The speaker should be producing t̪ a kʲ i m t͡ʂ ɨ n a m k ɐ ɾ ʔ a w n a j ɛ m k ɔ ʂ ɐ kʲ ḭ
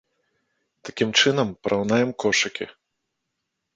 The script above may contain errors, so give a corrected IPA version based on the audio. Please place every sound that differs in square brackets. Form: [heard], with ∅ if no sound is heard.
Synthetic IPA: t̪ a kʲ i m t͡ʂ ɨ n [ɐ] m [p] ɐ ɾ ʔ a w n a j ɛ m k ɔ ʂ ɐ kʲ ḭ